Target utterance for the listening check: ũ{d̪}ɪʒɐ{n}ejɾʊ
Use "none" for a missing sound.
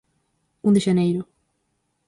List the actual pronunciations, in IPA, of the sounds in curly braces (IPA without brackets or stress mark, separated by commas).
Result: d̪, n